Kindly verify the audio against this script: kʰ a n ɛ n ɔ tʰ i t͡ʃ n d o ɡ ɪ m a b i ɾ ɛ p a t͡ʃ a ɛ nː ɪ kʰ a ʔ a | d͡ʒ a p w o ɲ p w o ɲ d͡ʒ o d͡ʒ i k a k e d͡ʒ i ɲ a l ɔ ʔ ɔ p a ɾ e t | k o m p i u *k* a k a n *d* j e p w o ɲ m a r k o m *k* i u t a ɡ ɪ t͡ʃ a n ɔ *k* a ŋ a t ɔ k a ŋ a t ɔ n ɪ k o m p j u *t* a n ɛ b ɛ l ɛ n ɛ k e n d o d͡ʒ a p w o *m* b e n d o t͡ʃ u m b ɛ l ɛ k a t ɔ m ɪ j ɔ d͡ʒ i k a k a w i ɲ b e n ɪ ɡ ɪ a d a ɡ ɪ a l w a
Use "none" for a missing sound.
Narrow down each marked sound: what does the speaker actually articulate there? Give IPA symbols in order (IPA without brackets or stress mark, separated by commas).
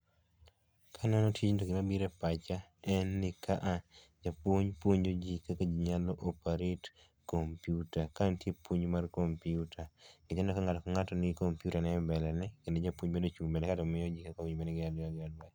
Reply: t, t, p, k, t, ɲ